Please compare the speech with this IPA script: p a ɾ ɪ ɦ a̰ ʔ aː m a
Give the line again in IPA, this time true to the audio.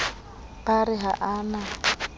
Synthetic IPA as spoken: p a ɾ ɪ ɦ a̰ ʔ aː n a

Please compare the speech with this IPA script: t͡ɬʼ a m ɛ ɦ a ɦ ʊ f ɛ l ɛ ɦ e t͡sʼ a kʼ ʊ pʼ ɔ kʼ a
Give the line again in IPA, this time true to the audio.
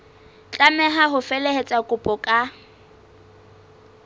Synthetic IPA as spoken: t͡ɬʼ a m ɛ ɦ a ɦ ʊ f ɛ l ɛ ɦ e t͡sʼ a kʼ ʊ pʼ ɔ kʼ a

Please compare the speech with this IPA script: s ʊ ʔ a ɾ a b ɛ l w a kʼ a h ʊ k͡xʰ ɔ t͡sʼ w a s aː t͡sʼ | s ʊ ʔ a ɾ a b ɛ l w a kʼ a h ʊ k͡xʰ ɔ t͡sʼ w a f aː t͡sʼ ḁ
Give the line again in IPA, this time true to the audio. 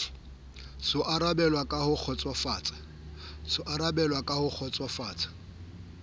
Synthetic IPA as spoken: s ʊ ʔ a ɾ a b ɛ l w a kʼ a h ʊ k͡xʰ ɔ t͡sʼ w a f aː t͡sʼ | s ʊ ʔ a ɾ a b ɛ l w a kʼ a h ʊ k͡xʰ ɔ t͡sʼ w a f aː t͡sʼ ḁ

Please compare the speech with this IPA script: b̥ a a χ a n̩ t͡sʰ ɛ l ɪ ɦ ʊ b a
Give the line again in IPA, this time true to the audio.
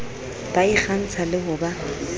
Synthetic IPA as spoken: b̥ a i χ a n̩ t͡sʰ a l ɪ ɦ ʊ b a

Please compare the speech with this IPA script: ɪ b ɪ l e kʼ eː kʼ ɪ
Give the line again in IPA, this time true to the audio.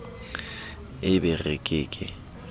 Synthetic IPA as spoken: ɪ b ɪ r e kʼ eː kʼ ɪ

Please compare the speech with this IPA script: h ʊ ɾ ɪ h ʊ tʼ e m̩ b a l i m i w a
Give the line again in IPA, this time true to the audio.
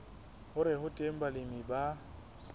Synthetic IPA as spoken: h ʊ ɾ ɪ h ʊ tʼ e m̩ b a l ɪ m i b a

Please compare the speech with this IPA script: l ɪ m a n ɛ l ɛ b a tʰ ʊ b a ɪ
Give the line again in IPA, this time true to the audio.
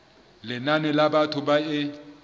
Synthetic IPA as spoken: l ɪ n a n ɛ l a b a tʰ ʊ b a ɪ

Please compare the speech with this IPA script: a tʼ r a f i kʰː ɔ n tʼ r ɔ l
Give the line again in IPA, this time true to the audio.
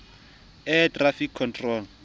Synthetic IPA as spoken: ɛ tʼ r a f i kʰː ɔ n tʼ r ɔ l

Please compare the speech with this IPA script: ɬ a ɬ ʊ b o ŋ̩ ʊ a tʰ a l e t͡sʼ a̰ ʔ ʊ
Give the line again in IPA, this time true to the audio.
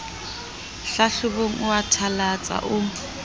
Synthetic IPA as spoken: ɬ a ɬ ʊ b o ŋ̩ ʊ a tʰ a l a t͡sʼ a̰ ʔ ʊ

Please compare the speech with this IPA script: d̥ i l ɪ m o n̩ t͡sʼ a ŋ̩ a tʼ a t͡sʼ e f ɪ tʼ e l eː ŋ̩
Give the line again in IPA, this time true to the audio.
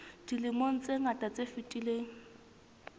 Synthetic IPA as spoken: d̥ i l ɪ m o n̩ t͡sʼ e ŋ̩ a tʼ a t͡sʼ e f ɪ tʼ i l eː ŋ̩

